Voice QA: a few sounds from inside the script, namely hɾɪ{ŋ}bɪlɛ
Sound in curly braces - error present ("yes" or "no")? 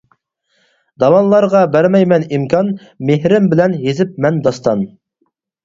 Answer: yes